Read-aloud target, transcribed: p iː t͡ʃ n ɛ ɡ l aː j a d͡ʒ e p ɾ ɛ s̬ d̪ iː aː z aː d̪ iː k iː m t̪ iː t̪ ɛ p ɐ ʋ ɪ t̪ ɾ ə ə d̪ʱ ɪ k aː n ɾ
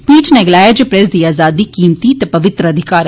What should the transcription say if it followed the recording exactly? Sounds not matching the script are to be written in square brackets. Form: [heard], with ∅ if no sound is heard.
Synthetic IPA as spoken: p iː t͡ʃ n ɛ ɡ l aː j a d͡ʒ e p ɾ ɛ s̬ d̪ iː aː z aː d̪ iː k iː m t̪ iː t̪ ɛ p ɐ ʋ ɪ t̪ ɾ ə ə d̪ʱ ɪ k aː [∅] ɾ